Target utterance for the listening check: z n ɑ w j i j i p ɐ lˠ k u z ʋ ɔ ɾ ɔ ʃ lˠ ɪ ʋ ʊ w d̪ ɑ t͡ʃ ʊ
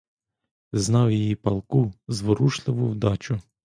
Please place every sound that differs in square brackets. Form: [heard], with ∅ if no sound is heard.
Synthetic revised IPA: z n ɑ w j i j i p ɐ lˠ k u z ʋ ɔ ɾ [u] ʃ lˠ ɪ ʋ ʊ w d̪ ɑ t͡ʃ ʊ